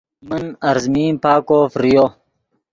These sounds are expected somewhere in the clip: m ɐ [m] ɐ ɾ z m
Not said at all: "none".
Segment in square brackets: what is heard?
n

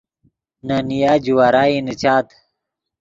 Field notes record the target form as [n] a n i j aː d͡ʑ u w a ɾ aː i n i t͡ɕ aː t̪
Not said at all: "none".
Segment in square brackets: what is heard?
n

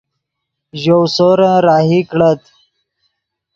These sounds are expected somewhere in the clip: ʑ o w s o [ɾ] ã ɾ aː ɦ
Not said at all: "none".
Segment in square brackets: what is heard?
ɾ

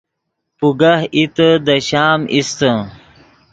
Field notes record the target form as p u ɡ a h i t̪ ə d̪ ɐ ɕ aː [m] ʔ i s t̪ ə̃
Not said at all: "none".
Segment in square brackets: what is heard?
m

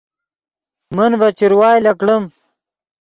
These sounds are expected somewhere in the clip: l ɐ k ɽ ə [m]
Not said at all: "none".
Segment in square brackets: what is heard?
m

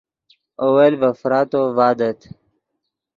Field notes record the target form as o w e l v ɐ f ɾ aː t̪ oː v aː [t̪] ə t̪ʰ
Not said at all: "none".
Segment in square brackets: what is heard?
d̪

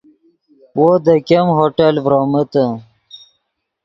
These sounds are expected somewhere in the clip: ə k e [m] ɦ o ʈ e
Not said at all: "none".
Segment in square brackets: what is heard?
m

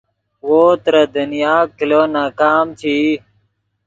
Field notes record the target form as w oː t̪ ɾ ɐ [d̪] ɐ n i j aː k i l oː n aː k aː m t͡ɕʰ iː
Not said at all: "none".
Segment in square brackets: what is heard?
d̪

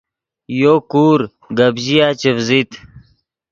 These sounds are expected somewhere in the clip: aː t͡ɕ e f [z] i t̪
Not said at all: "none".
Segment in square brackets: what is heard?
z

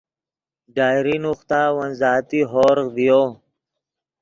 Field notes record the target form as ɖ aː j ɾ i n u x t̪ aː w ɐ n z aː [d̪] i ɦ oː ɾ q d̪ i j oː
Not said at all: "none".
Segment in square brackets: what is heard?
t̪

